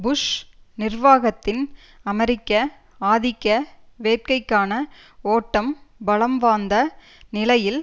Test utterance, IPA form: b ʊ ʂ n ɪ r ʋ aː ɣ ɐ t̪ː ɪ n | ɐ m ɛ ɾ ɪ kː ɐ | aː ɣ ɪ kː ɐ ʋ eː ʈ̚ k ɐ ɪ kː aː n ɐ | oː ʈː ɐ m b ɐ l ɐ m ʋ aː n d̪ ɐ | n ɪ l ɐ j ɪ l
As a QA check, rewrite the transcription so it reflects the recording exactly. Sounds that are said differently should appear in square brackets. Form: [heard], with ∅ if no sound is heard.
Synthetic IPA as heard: b ʊ ʂ n ɪ r ʋ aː ɣ ɐ t̪ː ɪ n | ɐ m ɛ ɾ ɪ kː ɐ | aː [ð] ɪ kː ɐ ʋ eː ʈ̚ k ɐ ɪ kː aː n ɐ | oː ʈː ɐ m b ɐ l ɐ m ʋ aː n d̪ ɐ | n ɪ l ɐ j ɪ l